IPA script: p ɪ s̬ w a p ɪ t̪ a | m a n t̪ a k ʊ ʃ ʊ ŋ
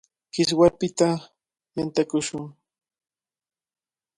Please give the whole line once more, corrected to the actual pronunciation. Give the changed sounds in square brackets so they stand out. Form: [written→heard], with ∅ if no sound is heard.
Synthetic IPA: [p→k] ɪ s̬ w a p ɪ t̪ a | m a n t̪ a k ʊ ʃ ʊ ŋ